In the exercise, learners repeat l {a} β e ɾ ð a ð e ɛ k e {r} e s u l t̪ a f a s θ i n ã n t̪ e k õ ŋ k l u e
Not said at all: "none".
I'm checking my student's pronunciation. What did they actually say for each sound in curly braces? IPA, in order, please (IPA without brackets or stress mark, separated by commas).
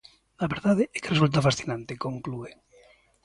a, r